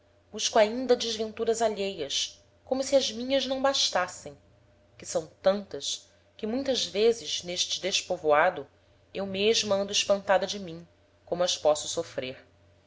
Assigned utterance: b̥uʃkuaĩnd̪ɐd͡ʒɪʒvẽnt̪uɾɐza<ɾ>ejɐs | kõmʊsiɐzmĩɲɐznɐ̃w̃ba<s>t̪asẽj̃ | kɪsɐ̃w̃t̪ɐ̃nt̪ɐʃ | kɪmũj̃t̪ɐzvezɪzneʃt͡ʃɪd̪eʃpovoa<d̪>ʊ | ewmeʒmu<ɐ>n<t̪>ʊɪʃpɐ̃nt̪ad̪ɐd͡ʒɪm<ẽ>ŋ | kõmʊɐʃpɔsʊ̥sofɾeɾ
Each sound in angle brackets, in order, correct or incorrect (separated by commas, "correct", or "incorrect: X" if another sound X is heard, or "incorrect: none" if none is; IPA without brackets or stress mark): incorrect: ʎ, incorrect: ʃ, correct, incorrect: ɐ̃, incorrect: d̪, incorrect: ĩ